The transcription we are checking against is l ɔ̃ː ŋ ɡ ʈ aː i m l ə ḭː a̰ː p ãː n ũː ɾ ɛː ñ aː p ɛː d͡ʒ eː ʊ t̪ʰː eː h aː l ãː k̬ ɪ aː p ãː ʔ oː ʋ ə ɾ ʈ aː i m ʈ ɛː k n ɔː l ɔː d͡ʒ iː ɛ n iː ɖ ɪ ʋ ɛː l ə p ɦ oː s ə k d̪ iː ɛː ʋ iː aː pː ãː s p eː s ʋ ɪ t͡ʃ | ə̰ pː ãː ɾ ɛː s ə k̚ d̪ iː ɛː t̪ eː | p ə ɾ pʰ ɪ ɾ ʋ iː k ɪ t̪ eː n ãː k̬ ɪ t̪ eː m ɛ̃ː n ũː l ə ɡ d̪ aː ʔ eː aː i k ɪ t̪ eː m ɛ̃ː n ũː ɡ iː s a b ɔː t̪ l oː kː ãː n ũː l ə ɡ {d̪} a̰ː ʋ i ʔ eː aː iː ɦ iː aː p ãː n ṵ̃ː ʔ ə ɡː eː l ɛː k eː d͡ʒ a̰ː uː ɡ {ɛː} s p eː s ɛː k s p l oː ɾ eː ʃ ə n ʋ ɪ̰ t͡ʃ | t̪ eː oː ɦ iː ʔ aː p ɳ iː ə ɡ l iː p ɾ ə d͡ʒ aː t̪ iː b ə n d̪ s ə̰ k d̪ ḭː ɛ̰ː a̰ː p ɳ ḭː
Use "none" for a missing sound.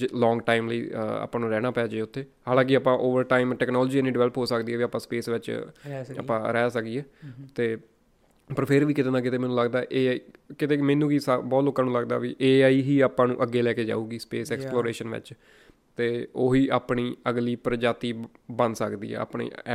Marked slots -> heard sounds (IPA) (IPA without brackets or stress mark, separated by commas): d̪, iː